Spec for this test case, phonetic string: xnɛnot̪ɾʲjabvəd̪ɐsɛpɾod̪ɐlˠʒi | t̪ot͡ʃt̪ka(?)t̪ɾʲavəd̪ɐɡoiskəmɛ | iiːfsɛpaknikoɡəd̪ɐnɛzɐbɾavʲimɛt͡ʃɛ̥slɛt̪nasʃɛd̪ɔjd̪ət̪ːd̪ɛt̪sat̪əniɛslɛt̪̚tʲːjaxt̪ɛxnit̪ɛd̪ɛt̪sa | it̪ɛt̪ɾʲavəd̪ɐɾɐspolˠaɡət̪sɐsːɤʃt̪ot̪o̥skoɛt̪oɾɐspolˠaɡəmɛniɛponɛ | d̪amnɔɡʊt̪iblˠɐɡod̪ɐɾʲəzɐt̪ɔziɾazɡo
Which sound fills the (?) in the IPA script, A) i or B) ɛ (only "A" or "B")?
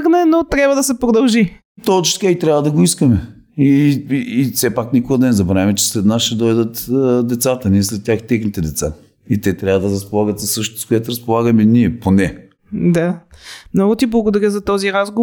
A